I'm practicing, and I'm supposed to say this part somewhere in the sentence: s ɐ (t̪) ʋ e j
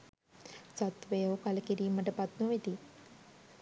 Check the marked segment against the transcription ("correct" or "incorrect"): correct